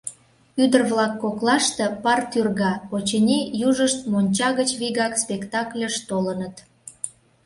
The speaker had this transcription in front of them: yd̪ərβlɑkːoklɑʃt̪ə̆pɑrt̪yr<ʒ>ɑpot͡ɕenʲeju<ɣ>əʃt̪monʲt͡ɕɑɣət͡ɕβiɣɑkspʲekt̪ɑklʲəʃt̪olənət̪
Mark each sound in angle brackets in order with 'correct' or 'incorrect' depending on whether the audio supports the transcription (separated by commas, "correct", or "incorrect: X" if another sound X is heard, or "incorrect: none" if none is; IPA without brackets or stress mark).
incorrect: ɣ, incorrect: ʒ